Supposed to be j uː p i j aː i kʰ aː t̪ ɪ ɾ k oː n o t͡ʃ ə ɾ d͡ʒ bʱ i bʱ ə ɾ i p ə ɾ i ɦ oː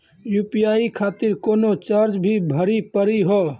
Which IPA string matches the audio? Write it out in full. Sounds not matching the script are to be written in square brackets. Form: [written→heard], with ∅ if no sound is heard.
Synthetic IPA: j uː p i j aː i kʰ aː t̪ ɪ ɾ k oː n o t͡ʃ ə ɾ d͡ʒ bʱ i bʱ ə ɾ i p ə ɾ i ɦ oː